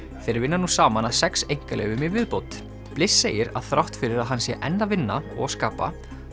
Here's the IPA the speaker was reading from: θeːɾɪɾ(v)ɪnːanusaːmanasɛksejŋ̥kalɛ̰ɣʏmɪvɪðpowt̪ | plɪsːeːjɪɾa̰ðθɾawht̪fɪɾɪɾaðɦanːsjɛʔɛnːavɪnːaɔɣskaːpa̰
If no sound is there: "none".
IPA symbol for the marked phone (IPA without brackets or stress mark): v